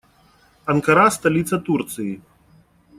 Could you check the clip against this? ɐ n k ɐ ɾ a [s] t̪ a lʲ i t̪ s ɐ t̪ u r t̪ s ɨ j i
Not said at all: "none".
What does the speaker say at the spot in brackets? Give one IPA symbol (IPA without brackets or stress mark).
s